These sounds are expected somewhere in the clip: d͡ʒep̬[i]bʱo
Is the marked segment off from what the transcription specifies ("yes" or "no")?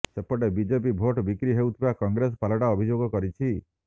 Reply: no